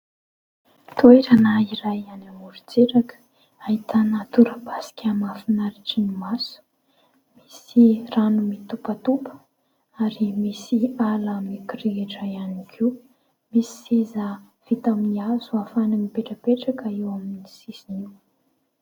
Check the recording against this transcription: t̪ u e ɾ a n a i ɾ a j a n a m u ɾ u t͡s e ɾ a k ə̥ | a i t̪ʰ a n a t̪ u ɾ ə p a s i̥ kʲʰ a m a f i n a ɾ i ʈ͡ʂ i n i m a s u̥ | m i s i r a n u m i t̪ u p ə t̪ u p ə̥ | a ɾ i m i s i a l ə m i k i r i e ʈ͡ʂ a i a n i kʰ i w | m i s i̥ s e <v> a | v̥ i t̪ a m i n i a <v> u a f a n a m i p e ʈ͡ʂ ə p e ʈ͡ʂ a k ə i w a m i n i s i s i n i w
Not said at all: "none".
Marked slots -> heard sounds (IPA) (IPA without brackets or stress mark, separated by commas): z, z